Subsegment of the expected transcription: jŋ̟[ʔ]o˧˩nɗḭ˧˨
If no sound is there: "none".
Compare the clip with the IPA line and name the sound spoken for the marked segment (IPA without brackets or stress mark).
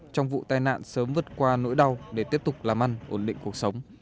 ʔ